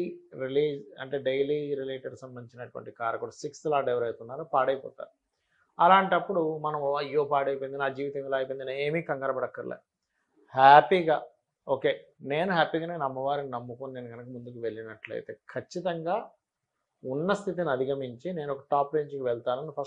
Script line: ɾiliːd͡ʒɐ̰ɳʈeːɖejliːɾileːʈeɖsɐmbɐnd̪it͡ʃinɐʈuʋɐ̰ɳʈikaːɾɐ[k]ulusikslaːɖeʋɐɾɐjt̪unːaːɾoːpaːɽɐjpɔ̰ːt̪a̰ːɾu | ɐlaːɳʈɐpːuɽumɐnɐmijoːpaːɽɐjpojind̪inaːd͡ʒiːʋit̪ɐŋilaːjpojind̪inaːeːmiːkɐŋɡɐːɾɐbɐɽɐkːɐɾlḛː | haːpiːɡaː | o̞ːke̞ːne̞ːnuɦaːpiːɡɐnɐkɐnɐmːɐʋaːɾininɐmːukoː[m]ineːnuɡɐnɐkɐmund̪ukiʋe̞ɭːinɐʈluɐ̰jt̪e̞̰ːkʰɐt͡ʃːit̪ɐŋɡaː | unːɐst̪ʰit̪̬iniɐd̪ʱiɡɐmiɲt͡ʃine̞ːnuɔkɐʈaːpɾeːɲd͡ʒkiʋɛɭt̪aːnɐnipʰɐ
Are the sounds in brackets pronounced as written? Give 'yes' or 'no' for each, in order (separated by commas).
yes, no